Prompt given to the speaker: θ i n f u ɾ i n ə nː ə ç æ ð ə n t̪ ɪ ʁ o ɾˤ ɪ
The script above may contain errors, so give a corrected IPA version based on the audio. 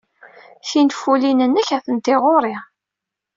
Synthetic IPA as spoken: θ i n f u l i n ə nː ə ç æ θ ə n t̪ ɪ ʁ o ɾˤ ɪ